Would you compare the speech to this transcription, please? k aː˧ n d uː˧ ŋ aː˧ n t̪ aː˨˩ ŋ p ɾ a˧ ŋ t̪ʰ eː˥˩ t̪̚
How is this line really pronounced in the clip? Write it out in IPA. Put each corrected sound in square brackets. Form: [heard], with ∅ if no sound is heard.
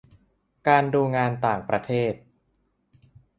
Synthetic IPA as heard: k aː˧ n d uː˧ ŋ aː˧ n t̪ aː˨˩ ŋ p ɾ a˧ [∅] t̪ʰ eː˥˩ t̪̚